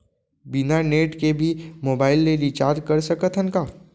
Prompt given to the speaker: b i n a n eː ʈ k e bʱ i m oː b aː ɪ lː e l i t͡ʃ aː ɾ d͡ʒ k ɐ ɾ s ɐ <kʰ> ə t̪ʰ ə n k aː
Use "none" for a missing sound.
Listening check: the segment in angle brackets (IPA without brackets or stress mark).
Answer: k